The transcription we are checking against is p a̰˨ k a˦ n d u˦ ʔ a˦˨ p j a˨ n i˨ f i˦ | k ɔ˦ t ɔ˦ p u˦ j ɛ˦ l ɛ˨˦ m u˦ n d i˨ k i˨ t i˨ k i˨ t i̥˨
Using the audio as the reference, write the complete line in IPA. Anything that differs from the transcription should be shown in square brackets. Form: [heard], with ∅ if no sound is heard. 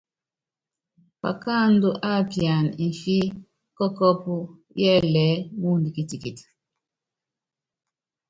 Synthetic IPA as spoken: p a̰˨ k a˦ n d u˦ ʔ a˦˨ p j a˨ n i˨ f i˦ | k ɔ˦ [k] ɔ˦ p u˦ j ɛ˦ l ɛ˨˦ m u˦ n d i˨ k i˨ t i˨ k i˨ t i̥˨

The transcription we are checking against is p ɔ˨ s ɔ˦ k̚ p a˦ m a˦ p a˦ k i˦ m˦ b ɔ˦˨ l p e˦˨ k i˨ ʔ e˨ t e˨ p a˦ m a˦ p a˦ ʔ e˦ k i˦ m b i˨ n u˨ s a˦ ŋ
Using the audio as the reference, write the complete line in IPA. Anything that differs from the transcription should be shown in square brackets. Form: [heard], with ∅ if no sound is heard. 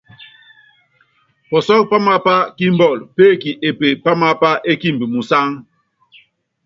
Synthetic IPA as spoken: p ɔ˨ s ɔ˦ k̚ p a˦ m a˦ p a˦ k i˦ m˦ b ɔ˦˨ l p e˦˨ k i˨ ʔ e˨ [p] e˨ p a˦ m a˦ p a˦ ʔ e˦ k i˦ m b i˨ [m] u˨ s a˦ ŋ

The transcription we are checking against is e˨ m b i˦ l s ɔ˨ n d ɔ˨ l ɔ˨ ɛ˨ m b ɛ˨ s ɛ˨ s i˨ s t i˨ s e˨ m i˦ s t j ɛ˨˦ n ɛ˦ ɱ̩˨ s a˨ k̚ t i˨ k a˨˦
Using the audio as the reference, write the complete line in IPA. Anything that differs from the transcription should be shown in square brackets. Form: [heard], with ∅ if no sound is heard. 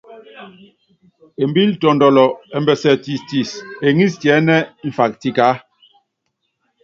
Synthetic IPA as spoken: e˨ m b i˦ l [t] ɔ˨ n d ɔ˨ l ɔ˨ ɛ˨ m b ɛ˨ s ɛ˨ [t] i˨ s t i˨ s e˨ [ŋ] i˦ s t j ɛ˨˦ n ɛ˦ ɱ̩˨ [f] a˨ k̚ t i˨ k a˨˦

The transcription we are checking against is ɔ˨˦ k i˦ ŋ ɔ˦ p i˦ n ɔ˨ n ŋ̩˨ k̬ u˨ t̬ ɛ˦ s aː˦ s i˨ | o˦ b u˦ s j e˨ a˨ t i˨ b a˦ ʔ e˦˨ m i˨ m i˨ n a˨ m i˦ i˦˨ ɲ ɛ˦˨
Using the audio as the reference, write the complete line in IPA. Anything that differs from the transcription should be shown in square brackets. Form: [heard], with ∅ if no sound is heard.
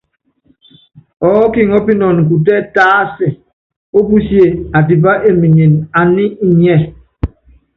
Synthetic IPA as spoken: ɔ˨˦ k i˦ ŋ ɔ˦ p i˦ n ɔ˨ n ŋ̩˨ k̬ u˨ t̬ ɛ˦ [t] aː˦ s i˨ | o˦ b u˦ s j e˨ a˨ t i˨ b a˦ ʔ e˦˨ m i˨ [ɲ] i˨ n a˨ [n] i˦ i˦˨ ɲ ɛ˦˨

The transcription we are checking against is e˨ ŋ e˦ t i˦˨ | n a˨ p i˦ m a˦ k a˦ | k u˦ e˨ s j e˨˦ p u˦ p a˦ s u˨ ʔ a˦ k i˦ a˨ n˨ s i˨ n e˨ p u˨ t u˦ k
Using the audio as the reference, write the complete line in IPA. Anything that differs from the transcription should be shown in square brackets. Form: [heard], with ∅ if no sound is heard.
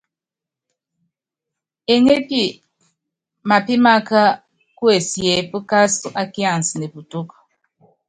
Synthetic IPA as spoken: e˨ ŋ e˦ [p] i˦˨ | [m] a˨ p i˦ m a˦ k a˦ | k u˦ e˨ s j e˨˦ p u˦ [k] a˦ s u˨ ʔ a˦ k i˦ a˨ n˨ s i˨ n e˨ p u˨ t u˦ k

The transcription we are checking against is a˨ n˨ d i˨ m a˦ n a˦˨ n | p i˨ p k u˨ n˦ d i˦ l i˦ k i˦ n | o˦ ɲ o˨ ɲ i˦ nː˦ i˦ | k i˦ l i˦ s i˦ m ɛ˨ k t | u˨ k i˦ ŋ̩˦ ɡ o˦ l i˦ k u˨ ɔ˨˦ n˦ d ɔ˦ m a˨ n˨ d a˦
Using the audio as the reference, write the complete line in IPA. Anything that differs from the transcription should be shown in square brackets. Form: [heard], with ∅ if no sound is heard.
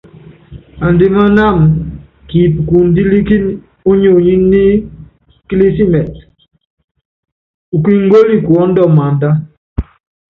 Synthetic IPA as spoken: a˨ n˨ d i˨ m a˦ n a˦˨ [m] | [k] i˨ p k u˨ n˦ d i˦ l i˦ k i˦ n | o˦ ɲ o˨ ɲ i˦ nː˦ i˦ | k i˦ l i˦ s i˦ m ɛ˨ [∅] t | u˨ k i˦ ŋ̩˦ ɡ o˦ l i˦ k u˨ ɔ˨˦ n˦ d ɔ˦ m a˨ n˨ d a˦

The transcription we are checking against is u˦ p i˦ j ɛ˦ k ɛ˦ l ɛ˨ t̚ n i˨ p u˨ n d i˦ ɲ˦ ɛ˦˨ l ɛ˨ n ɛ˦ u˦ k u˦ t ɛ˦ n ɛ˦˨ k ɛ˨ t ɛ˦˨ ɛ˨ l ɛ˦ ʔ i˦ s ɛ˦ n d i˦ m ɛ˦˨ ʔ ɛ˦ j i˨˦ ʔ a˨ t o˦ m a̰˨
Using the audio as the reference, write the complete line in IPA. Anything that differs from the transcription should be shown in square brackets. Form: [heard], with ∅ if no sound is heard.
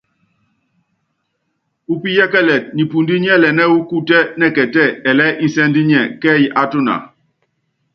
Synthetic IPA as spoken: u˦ p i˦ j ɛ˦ k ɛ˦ l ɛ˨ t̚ n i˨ p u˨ n d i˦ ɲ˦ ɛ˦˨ l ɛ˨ n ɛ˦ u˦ k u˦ t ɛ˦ n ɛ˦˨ k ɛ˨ t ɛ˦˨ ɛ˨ l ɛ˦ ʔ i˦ s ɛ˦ n d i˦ [ɲ] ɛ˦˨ [k] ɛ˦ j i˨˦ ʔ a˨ t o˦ [n] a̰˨

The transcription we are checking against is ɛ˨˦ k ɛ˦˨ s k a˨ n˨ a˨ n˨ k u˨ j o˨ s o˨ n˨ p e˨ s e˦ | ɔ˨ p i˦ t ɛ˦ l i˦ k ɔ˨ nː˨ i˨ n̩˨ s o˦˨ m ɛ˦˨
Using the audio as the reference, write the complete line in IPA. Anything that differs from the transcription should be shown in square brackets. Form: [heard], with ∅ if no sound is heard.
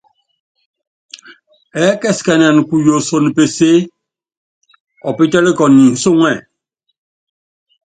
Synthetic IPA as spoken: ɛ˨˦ k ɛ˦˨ s k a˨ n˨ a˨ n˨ k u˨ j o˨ s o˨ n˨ p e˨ s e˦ | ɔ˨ p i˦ t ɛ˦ l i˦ k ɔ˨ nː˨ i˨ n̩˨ s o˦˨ [ŋ] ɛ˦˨

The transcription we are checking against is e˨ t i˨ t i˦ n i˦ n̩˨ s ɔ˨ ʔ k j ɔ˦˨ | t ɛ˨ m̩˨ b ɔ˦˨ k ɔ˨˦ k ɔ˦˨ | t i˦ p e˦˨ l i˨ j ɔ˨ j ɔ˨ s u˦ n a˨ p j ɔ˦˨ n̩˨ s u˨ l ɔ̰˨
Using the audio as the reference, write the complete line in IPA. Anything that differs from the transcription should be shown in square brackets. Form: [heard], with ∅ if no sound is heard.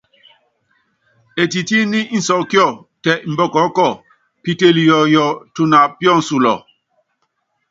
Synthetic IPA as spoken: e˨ t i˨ t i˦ n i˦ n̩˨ s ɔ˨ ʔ k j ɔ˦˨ | t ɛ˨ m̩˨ b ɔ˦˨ k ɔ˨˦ k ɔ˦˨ | [p] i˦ [t] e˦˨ l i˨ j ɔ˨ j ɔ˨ [t] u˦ n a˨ p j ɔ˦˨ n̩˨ s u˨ l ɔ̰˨

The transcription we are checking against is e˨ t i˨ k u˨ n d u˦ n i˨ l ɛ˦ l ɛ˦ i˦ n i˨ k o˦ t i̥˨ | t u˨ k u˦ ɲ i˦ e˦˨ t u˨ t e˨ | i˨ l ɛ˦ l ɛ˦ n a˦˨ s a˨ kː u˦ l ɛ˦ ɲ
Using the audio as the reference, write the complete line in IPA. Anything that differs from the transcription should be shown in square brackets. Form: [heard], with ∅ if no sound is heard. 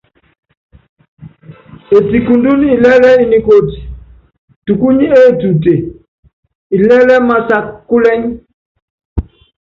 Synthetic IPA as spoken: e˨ t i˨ k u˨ n d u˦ n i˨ l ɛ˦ l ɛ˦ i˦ n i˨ k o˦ t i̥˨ | t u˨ k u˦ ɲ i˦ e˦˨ t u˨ t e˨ | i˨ l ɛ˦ l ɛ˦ [m] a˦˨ s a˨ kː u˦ l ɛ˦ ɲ

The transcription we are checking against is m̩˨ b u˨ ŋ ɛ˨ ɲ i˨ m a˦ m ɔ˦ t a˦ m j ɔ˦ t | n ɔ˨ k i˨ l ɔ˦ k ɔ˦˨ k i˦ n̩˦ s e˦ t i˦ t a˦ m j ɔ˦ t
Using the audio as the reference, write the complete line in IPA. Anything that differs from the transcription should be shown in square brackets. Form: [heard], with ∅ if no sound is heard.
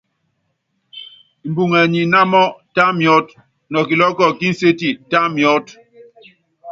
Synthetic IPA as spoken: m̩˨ b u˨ ŋ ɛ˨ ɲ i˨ [n] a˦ m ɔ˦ t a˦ m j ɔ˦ t | n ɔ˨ k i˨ l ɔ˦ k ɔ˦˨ k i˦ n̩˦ s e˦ t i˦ t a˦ m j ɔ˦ t

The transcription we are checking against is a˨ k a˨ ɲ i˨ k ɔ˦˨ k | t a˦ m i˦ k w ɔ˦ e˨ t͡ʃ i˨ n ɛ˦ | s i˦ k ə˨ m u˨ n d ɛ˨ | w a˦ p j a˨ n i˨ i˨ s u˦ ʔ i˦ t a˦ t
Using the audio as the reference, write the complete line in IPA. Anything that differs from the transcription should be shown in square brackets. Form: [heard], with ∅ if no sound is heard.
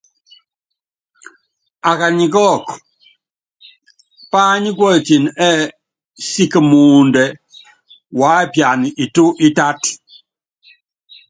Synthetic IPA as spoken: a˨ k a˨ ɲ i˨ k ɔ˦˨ k | [p] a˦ [ɲ] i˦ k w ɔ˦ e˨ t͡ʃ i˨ n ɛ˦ | s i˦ k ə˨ m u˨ n d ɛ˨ | w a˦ p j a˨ n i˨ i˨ [t] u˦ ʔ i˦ t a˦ t

